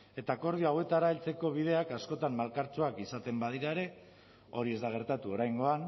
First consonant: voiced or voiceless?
voiceless